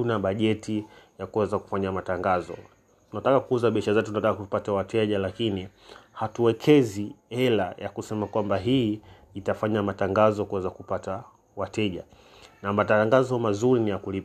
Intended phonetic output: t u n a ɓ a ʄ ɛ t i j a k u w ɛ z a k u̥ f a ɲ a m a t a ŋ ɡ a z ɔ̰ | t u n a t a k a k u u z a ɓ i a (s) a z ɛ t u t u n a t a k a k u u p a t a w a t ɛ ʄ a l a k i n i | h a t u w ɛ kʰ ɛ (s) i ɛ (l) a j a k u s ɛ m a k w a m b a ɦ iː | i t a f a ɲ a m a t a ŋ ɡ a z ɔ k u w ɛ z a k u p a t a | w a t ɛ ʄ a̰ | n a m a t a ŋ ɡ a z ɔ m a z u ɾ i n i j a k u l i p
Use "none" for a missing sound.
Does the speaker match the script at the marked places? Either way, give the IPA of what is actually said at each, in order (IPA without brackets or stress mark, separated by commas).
ʃ, z, l